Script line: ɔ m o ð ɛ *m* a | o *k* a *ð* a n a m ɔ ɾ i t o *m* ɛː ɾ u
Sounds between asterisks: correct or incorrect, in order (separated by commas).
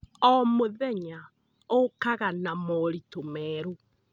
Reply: incorrect, correct, incorrect, correct